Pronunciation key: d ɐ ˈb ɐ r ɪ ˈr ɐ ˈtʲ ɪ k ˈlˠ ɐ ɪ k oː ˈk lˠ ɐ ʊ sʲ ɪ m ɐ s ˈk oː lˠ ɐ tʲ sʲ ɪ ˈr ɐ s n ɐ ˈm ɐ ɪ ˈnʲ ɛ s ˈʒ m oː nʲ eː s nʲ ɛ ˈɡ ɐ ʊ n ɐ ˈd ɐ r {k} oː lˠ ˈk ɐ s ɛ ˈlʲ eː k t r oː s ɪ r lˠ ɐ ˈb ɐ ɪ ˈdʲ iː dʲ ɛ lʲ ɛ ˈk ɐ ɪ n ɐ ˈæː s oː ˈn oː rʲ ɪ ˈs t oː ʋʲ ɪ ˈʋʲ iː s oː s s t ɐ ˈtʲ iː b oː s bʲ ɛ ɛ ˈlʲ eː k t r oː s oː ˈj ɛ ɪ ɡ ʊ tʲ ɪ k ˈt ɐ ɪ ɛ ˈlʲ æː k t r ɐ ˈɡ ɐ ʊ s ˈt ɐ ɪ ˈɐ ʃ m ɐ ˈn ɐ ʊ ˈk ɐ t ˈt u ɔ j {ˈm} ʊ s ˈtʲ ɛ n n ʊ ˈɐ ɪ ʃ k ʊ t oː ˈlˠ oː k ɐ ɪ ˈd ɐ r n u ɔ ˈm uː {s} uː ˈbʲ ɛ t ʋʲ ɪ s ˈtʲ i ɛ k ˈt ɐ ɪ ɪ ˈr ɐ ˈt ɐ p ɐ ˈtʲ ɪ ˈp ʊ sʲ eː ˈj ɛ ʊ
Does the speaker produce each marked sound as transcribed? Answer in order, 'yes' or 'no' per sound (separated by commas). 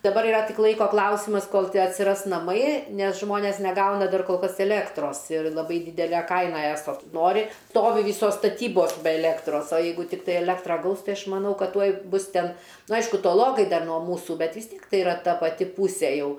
yes, no, yes